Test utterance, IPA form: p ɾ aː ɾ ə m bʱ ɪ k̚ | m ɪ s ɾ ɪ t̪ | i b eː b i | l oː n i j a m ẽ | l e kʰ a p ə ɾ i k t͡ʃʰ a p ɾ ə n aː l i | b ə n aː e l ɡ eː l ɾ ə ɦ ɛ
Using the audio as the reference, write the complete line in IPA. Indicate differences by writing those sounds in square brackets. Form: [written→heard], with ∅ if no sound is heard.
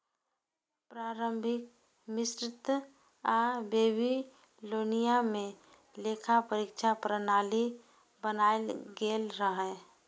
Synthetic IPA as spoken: p ɾ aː ɾ ə m bʱ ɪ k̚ | m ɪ s ɾ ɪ t̪ | [i→a] b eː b i | l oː n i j a m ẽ | l e kʰ a p ə ɾ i k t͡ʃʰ a p ɾ ə n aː l i | b ə n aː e l ɡ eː l ɾ ə ɦ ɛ